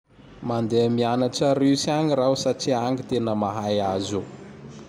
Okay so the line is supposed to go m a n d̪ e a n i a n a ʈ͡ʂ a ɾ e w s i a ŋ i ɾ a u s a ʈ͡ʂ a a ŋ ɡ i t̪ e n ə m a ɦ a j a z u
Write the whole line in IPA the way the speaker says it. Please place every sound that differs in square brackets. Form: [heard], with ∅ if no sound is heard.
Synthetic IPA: m a n d̪ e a [m] i a n a ʈ͡ʂ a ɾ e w s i a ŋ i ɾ a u s a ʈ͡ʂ [i] a ŋ ɡ i t̪ e n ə m a ɦ a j a z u